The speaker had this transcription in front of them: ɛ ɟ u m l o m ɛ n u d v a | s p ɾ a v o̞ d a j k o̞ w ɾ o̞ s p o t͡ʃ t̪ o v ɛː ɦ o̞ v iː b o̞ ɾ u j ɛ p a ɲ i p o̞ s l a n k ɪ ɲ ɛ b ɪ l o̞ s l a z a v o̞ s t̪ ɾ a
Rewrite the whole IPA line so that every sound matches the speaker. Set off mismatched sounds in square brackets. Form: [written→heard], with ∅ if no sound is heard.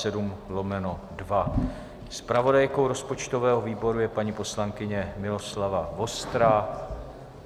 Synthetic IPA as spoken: ɛ [ɟ→d] u m l o m ɛ n [u→o] d v a | s p ɾ a v o̞ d a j k o̞ w ɾ o̞ s p o t͡ʃ t̪ o v ɛː ɦ o̞ v iː b o̞ ɾ u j ɛ p a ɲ i p o̞ s l a [n→ŋ] k ɪ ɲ ɛ [b→m] ɪ l o̞ s l a [z→v] a v o̞ s t̪ ɾ a

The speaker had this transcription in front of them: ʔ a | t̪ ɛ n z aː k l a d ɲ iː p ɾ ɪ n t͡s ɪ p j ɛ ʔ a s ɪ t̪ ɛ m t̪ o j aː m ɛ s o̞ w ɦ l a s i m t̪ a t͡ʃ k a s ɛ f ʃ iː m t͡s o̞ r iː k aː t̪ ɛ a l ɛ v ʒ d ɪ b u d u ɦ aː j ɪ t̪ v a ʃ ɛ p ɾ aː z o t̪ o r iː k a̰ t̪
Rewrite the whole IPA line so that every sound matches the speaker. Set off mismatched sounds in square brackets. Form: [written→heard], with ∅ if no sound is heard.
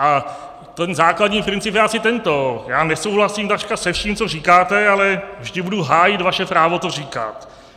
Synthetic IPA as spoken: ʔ a | t̪ ɛ n z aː k l a d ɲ iː p ɾ ɪ n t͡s ɪ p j ɛ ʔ a s ɪ t̪ ɛ [m→n] t̪ o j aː [m→n] ɛ s o̞ w ɦ l a s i m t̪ a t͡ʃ k a s ɛ f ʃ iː m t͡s o̞ r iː k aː t̪ ɛ a l ɛ v ʒ d ɪ b u d u ɦ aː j ɪ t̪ v a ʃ ɛ p ɾ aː [z→v] o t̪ o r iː k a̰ t̪

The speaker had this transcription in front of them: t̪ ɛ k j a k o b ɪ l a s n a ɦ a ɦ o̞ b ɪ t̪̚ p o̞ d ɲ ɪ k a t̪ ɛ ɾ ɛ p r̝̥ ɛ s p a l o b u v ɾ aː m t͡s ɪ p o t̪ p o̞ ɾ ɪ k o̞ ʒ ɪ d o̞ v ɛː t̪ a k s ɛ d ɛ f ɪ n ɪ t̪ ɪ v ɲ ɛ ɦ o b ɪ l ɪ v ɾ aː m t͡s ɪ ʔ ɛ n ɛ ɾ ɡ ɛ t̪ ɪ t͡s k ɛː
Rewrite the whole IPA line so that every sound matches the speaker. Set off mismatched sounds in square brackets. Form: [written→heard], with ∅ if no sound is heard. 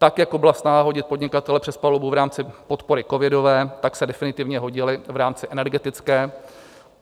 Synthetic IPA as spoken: t̪ [ɛ→a] k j a k o b ɪ l a s n a ɦ a ɦ o̞ [b→ɟ] ɪ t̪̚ p o̞ d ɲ ɪ k a t̪ ɛ [ɾ→l] ɛ p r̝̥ ɛ s p a l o b u v ɾ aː m t͡s ɪ p o t̪ p o̞ ɾ ɪ k o̞ [ʒ→v] ɪ d o̞ v ɛː t̪ a k s ɛ d ɛ f ɪ n ɪ t̪ ɪ v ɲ ɛ ɦ o [b→ɟ] ɪ l ɪ v ɾ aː m t͡s ɪ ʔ ɛ n ɛ ɾ ɡ ɛ t̪ ɪ t͡s k ɛː

